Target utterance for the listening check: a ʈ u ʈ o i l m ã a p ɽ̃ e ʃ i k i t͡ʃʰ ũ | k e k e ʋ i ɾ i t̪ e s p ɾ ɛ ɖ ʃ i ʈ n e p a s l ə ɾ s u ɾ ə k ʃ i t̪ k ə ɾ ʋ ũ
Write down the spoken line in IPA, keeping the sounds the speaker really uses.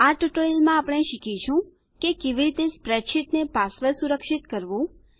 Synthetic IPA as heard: a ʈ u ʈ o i l m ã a p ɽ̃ e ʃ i k i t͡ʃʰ ũ | k e k e ʋ i ɾ i t̪ e s p ɾ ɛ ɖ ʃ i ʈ n e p a s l ə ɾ s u ɾ ə k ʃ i t̪ k ə ɾ ʋ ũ